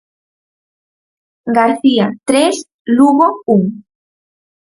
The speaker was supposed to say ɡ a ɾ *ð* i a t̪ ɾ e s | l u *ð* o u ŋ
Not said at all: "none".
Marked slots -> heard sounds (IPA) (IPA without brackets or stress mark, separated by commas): θ, ɣ